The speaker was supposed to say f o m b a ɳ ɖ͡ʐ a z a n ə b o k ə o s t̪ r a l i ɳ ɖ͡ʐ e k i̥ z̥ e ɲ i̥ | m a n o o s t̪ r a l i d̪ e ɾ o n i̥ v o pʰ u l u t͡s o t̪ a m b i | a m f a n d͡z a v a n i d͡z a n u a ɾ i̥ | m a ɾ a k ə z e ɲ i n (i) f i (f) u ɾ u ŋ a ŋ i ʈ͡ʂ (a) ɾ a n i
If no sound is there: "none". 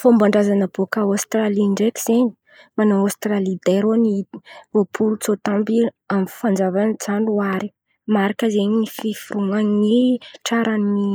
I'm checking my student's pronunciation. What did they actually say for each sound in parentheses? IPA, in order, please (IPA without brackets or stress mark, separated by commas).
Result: i, f, a